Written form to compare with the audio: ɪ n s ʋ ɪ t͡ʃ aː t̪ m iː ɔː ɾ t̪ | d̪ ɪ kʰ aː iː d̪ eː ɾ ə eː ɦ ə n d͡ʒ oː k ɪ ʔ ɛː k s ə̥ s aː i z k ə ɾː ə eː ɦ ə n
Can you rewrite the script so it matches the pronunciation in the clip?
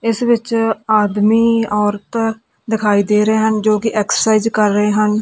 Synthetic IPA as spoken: ɪ s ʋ ɪ t͡ʃ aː d̪ m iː ɔː ɾ t̪ | d̪ ɪ kʰ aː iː d̪ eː ɾ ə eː ɦ ə n d͡ʒ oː k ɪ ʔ ɛː k s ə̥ s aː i z k ə ɾː ə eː ɦ ə n